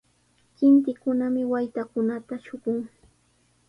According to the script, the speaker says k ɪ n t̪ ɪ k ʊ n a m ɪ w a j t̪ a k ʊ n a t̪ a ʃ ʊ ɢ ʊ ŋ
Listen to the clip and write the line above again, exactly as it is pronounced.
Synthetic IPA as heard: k ɪ n t̪ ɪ k ʊ n a m ɪ w a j t̪ a k ʊ n a t̪ a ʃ ʊ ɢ ʊ ŋ